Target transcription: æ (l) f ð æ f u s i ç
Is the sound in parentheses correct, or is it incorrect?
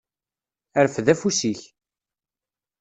incorrect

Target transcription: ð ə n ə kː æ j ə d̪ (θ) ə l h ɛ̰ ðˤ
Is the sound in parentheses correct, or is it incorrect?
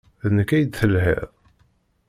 correct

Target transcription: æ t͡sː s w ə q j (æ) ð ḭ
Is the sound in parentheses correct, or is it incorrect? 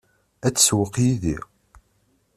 incorrect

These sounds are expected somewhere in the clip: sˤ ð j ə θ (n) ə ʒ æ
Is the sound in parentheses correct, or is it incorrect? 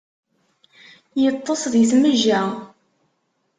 incorrect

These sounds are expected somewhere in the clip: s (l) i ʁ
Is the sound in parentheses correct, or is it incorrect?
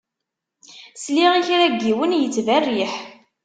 correct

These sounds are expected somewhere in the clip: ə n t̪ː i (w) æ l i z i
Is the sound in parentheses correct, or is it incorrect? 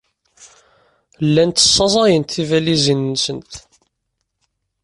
incorrect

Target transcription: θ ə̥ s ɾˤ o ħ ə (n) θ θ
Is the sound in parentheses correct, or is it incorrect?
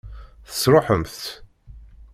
incorrect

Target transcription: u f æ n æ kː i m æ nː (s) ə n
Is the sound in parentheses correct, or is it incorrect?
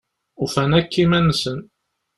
correct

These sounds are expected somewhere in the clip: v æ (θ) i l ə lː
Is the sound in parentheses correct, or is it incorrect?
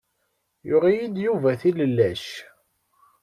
correct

